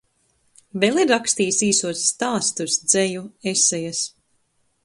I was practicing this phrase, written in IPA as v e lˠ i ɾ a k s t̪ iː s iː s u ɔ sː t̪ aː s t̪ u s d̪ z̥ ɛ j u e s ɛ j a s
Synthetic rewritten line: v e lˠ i ɾ a k s t̪ iː s iː s u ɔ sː t̪ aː s t̪ u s d̪ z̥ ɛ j u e s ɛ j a s